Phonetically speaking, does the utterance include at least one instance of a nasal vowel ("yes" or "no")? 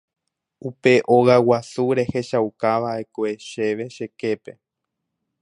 no